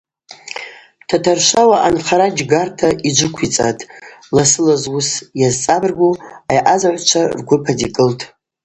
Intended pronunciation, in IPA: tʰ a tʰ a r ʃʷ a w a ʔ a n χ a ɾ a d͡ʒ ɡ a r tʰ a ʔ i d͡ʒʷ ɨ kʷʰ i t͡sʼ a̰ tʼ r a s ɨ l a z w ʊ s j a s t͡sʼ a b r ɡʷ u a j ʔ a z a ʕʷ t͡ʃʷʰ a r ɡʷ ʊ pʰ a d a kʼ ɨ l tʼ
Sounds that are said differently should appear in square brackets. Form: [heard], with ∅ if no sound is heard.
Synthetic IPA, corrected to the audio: tʰ a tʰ a r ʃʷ a w a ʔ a n χ a ɾ a d͡ʒ ɡ a r tʰ a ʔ i d͡ʒʷ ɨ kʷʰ i t͡sʼ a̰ tʼ [l] a s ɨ l a z w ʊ s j a [z] t͡sʼ a b r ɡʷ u a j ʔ a z a ʕʷ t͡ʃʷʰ a r ɡʷ ʊ pʰ a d [i] kʼ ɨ l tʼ

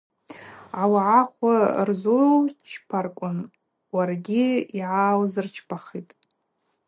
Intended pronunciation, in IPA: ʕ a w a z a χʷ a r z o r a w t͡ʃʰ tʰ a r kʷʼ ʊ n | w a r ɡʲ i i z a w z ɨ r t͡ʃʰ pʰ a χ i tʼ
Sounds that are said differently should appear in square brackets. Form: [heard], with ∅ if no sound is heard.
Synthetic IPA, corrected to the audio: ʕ a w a [ʕ] a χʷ a r z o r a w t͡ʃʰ [pʰ] a r kʷʼ ʊ n | w a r ɡʲ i i [ʕ] a w z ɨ r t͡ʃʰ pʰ a χ i tʼ

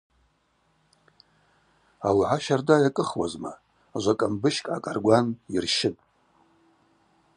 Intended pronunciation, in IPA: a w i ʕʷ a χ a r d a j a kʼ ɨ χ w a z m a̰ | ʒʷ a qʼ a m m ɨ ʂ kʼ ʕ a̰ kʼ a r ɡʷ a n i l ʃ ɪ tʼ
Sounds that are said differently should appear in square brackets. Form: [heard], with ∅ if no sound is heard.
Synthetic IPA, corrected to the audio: a w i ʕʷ a [ʃ] a r d a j a kʼ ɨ χ w a z m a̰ | ʒʷ a [kʼ] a m [b] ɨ [ʃ] kʼ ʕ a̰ kʼ a r ɡʷ a n i [r] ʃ ɪ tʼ

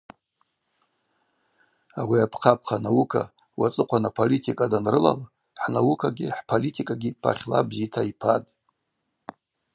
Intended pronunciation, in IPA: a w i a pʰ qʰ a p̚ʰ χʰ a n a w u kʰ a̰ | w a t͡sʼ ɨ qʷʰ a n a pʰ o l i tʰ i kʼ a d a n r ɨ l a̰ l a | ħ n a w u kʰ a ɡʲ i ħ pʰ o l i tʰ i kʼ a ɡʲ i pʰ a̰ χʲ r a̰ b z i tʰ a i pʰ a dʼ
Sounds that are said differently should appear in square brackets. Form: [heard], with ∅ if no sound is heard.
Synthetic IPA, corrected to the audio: a w i a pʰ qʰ a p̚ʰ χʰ a n a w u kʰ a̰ | w a t͡sʼ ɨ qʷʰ a n a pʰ o l i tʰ i kʼ a d a n r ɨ l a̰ l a | ħ n a w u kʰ a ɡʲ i ħ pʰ o l i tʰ i kʼ a ɡʲ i pʰ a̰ χʲ [l] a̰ b z i tʰ a i pʰ a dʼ

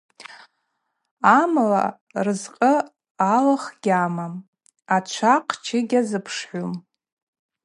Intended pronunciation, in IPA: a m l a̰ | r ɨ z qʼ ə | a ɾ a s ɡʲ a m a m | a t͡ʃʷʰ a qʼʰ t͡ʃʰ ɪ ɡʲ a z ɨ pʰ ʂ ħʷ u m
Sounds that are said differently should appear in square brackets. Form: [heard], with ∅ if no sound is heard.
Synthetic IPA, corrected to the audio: a m l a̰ | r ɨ z qʼ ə | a [l] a [χ] ɡʲ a m a m | a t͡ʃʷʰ a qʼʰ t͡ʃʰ ɪ ɡʲ a z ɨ pʰ ʂ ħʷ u m

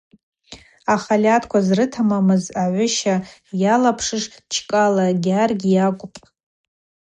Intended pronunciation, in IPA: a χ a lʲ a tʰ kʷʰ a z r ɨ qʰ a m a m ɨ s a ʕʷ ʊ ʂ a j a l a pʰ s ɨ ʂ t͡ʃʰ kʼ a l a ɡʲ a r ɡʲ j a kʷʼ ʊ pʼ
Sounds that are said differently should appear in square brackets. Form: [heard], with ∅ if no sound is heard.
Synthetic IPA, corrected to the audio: a χ a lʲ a tʰ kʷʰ a z r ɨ [tʰ] a m a m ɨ [z] a ʕʷ ʊ [ʃ] a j a l a pʰ [ʂ] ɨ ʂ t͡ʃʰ kʼ a l a ɡʲ a r ɡʲ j a kʷʼ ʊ pʼ

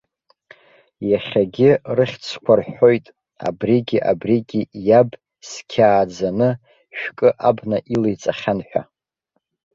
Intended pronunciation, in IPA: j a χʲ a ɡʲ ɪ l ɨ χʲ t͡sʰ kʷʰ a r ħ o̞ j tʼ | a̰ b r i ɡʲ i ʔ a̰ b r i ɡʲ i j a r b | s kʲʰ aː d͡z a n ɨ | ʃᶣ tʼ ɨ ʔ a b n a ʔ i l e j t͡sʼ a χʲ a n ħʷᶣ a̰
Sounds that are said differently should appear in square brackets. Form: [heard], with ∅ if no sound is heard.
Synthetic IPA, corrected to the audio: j a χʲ a ɡʲ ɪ [r] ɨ χʲ t͡sʰ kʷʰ a r ħ o̞ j tʼ | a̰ b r i ɡʲ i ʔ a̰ b r i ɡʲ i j a [∅] b | s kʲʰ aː d͡z a n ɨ | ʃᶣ [kʼ] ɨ ʔ a b n a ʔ i l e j t͡sʼ a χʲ a n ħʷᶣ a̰

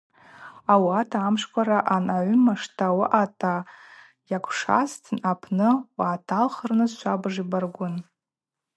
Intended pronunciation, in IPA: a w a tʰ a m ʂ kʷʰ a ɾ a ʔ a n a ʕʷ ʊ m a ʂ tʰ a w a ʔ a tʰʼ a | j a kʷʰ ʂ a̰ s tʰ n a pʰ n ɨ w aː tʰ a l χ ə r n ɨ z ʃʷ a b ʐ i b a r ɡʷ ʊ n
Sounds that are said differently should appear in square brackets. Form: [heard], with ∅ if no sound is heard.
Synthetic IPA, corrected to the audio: a w a tʰ a m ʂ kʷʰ a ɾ a ʔ a n a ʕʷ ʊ m a ʂ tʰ a w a ʔ a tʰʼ a | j a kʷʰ ʂ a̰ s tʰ n a pʰ n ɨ w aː tʰ a l χ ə r n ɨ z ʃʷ a b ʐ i b a r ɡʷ ʊ n

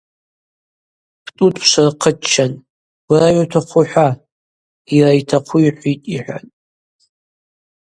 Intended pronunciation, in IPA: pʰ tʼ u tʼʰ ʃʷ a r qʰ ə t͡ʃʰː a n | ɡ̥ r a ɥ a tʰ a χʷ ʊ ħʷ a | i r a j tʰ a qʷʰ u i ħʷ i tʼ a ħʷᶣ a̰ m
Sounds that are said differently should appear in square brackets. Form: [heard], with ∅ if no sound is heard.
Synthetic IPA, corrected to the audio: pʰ tʼ u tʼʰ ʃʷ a r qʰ ə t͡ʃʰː a n | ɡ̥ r a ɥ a tʰ a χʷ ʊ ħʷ a | i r a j tʰ a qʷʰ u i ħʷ i tʼ [i] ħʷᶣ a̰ [n]

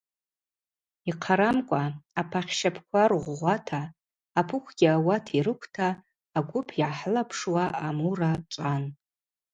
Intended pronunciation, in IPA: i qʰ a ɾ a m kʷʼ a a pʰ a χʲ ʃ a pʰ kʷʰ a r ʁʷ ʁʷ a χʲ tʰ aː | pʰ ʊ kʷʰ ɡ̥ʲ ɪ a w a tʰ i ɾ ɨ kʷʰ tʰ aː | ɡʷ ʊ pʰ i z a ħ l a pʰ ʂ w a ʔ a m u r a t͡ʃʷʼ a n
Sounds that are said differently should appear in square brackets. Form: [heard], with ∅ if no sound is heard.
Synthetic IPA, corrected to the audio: i qʰ a ɾ a m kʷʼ a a pʰ a χʲ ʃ a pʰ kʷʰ a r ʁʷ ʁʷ a [∅] tʰ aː | pʰ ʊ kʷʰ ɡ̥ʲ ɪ a w a tʰ i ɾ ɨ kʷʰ tʰ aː | ɡʷ ʊ pʰ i [ʕ] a ħ l a pʰ ʂ w a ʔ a m u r a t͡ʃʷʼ a n

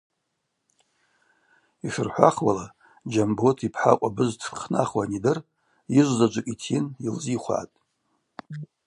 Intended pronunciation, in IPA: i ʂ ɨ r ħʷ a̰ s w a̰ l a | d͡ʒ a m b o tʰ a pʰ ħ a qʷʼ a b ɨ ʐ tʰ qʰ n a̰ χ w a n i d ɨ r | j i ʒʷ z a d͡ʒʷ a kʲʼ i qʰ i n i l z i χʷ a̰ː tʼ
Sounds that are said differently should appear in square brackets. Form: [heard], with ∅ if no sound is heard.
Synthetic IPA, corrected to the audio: i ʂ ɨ r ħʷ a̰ [χ] w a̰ l a | d͡ʒ a m b o tʰ [i] pʰ ħ a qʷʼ a b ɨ [z] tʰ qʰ n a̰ χ w a n i d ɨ r | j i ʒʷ z a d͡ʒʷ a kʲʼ i [tʰ] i n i l z i χʷ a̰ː tʼ

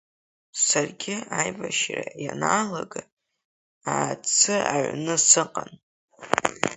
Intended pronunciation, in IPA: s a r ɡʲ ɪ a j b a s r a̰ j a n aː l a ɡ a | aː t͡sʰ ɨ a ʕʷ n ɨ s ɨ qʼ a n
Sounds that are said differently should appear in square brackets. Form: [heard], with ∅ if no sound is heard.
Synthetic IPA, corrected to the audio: s a r ɡʲ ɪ a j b a [ʃ] r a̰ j a n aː l a ɡ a | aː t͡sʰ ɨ a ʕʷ n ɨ s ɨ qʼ a n

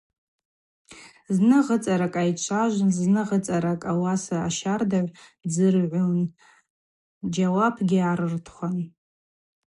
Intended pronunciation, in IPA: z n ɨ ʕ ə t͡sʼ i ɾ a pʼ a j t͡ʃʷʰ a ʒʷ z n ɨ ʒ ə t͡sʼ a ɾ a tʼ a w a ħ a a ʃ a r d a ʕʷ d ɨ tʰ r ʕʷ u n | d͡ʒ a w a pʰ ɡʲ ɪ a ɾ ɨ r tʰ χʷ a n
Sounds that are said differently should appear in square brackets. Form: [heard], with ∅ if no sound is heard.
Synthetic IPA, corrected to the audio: z n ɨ [ʁ] ə t͡sʼ [a] ɾ a [kʼ] a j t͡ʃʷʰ a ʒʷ z n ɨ [ʁ] ə t͡sʼ a ɾ a [kʼ] a w a [s] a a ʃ a r d a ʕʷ [d͡z] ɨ [∅] r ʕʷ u n | d͡ʒ a w a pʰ ɡʲ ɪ a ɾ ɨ r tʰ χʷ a n

